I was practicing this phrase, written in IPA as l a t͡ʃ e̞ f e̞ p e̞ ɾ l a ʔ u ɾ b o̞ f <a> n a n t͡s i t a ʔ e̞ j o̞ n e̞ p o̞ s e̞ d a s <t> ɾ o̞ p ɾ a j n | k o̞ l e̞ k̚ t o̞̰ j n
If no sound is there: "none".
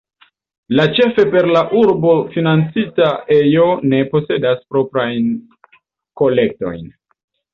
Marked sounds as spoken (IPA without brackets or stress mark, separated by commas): i, p